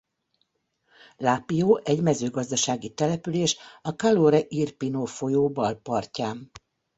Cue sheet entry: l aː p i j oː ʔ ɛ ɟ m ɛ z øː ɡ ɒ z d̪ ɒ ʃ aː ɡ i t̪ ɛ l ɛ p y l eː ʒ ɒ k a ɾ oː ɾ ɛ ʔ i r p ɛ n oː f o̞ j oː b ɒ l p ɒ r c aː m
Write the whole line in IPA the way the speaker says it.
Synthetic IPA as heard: l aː p i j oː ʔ ɛ ɟ m ɛ z øː ɡ ɒ z d̪ ɒ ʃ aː ɡ i t̪ ɛ l ɛ p y l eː ʃ ɒ k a l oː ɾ ɛ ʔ i r p i n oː f o̞ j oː b ɒ l p ɒ r c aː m